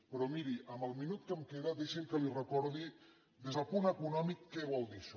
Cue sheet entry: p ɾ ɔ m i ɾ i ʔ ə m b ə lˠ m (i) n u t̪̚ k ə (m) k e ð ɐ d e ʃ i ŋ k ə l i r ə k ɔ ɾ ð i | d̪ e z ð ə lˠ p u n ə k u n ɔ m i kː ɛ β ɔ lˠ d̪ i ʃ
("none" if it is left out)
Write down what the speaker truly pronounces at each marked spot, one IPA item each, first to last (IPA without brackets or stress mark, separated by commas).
i, m